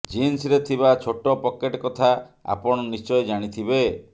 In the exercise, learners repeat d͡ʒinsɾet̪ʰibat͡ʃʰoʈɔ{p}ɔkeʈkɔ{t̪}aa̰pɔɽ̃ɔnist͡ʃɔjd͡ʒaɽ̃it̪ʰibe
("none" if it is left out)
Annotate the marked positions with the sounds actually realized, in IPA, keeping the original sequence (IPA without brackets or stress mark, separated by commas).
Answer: p, t̪ʰ